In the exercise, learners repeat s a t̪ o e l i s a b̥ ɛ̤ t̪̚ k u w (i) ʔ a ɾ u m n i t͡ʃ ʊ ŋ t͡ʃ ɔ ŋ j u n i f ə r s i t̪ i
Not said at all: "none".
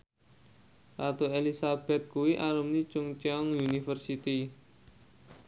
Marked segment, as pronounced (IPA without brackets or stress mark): i